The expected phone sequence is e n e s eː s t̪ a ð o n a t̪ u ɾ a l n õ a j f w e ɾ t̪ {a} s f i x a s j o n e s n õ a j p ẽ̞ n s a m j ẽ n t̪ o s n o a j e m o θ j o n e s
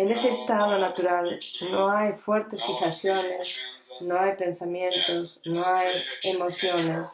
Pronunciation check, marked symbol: incorrect: e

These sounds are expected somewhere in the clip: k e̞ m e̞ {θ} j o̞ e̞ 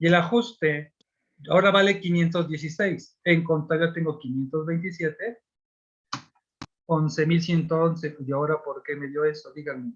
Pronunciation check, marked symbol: incorrect: ð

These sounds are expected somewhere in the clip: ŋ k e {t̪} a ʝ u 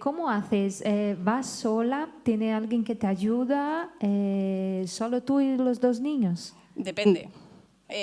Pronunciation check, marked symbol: correct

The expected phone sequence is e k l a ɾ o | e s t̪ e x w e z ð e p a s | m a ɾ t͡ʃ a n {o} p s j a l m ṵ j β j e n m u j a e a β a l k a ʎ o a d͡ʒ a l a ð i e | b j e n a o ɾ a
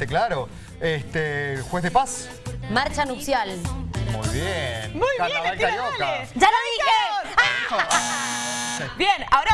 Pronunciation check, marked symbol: incorrect: u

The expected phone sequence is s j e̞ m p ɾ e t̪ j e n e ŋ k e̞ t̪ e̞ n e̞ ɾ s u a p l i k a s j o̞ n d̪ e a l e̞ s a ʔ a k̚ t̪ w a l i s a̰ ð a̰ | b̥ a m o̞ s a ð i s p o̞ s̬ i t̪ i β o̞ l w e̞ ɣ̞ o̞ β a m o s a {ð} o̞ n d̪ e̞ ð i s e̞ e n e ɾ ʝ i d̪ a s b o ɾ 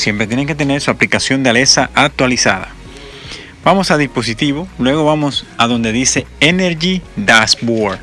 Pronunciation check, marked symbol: correct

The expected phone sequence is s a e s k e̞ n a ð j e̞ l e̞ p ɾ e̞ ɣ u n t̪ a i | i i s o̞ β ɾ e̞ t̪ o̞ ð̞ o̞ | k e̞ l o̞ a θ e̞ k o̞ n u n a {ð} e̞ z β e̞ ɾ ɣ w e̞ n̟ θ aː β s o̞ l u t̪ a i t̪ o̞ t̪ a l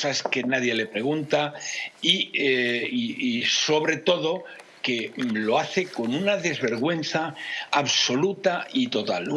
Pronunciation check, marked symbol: correct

